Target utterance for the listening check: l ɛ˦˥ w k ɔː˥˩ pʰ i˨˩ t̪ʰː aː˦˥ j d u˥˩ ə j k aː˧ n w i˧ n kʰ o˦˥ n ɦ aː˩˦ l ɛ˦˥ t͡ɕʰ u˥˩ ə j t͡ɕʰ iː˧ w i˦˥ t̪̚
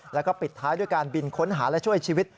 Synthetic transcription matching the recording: l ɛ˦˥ w k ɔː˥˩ p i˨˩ t̪ʰː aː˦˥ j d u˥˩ ə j k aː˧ n b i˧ n kʰ o˦˥ n ɦ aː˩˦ l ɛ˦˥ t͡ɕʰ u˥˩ ə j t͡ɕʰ iː˧ w i˦˥ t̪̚